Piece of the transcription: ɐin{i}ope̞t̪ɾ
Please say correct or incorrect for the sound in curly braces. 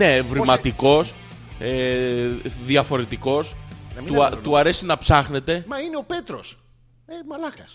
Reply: incorrect